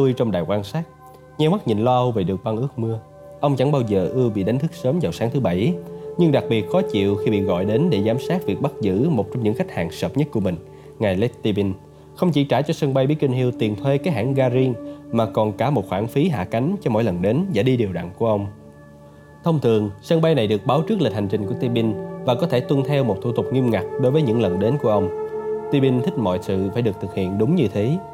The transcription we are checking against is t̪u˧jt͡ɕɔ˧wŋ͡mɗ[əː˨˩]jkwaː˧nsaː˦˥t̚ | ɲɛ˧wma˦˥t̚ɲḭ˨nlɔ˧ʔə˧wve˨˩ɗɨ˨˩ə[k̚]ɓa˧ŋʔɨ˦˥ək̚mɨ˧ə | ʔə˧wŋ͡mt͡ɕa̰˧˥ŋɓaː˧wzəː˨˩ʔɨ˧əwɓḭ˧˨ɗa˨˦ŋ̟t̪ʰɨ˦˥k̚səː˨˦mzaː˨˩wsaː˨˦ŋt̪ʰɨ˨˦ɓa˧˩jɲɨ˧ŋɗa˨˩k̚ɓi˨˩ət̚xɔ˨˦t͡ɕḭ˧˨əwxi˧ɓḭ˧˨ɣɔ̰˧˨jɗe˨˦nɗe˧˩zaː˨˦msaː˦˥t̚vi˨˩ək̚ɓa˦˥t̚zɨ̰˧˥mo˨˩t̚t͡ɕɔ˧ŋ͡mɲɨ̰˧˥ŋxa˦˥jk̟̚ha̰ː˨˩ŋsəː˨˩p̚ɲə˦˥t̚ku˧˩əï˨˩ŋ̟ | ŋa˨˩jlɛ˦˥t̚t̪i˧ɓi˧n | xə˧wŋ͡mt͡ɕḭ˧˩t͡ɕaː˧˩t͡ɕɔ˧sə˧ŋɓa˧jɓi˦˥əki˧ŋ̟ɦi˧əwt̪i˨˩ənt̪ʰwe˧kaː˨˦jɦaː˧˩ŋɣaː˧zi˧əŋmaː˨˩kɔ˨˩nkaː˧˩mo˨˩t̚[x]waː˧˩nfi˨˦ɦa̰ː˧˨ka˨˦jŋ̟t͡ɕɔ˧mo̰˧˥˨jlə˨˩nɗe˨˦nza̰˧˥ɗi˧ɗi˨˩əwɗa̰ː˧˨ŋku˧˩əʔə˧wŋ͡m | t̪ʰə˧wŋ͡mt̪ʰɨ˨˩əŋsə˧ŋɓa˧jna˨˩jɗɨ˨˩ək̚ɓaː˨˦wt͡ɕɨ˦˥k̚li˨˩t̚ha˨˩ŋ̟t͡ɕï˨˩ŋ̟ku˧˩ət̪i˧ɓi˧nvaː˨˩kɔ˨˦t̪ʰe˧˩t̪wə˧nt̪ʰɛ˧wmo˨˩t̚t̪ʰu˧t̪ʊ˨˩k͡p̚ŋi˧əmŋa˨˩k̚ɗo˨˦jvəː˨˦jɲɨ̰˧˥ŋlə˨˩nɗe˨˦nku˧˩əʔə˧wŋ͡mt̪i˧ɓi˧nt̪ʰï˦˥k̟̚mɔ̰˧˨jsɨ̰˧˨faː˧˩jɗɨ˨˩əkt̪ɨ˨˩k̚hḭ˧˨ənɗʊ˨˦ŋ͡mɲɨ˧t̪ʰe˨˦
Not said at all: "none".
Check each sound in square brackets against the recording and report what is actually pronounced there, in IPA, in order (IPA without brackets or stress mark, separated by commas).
aː˨˩, k̚, x